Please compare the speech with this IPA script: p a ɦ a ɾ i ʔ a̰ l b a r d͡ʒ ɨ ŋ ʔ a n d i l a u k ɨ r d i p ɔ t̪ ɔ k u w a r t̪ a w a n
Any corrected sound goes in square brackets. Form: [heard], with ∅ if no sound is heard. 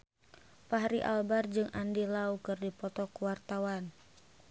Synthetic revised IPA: p a ɦ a ɾ i ʔ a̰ l b a r d͡ʒ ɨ ŋ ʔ a n d i l a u k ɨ r d i p ɔ t̪ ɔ k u w a r t̪ a w a n